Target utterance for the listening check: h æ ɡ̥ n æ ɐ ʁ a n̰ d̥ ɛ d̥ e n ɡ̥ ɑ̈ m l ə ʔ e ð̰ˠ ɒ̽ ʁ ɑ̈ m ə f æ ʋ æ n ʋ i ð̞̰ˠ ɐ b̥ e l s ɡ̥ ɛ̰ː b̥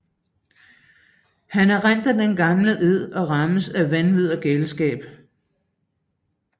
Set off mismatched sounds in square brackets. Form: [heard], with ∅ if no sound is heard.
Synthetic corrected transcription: h æ [∅] n æ ɐ ʁ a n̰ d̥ [æ] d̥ e n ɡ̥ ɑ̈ m l ə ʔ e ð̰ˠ ɒ̽ ʁ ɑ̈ m ə [s] æ ʋ æ n ʋ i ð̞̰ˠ ɐ [ɡ̥] e l s ɡ̥ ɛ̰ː b̥